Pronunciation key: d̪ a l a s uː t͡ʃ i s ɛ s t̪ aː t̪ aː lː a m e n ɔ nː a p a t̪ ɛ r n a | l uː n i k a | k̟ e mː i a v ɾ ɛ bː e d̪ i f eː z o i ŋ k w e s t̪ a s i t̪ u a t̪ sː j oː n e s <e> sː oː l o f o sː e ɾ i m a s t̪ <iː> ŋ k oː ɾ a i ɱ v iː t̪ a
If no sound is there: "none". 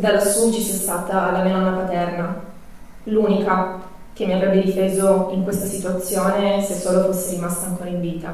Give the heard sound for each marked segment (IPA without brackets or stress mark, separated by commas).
e, aː